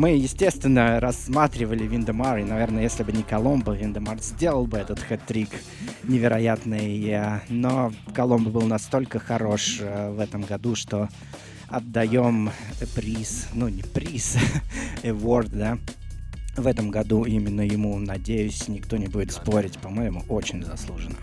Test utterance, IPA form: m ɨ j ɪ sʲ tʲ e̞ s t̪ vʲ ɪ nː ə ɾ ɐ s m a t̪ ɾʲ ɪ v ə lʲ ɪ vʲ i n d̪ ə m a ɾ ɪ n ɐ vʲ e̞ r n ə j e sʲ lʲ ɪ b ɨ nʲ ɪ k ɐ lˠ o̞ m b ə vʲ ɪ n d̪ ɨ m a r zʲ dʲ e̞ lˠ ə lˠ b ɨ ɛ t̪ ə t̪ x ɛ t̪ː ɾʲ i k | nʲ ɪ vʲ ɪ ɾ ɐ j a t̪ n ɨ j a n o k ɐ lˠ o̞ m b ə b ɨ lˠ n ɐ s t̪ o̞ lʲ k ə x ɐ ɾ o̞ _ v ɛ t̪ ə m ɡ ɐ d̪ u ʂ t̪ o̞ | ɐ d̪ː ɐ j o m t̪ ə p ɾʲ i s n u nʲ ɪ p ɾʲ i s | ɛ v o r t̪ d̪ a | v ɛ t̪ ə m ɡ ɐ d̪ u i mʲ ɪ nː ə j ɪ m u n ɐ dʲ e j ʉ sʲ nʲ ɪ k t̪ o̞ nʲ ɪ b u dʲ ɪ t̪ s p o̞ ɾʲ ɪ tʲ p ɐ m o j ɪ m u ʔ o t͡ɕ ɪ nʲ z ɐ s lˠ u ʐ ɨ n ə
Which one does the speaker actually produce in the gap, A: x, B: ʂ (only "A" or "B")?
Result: B